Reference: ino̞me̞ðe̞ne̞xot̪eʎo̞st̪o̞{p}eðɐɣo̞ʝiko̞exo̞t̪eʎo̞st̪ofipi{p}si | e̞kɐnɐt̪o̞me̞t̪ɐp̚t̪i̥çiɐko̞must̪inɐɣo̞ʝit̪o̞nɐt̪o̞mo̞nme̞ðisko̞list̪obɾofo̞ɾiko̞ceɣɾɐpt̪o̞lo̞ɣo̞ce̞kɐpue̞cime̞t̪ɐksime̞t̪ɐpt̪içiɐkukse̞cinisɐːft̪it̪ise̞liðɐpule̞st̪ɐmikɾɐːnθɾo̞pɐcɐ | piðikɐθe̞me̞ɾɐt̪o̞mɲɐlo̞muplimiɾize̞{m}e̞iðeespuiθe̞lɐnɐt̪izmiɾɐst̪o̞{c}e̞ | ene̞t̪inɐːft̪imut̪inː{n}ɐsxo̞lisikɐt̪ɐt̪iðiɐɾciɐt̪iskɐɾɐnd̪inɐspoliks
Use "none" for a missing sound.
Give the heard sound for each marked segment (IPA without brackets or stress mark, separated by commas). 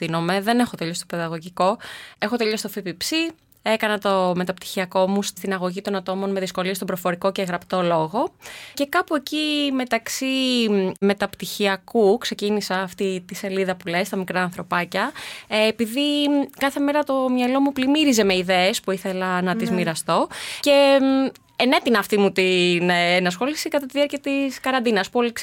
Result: p, p, m, c, n